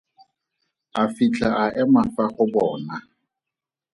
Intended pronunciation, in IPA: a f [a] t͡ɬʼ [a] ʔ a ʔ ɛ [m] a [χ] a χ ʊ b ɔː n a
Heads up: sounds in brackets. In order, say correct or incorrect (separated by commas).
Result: incorrect, correct, correct, incorrect